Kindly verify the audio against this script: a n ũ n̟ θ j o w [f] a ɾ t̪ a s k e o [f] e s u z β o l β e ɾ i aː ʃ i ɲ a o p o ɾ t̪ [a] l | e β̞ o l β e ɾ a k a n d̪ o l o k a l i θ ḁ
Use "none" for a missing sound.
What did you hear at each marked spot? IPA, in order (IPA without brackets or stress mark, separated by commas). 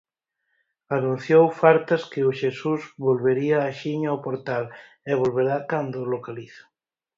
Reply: f, ʃ, a